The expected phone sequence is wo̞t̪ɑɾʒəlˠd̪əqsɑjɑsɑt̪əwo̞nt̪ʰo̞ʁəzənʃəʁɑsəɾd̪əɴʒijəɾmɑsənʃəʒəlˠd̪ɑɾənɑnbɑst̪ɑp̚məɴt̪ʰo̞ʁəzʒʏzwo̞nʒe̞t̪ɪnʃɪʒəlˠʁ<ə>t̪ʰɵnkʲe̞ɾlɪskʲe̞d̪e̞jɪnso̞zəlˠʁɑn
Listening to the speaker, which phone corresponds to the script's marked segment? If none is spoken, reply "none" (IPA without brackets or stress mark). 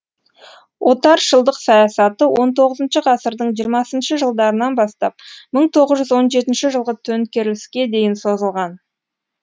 ə